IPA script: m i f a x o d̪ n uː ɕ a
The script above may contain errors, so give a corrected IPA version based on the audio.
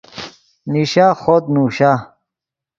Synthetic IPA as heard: n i ɕ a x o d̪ n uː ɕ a